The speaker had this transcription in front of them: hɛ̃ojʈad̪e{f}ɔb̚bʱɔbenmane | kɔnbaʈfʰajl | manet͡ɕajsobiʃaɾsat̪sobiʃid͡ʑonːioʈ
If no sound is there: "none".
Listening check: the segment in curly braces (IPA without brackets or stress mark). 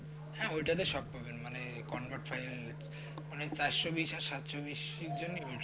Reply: ʃ